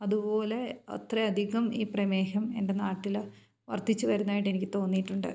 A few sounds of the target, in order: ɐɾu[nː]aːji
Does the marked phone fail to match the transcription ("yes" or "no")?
no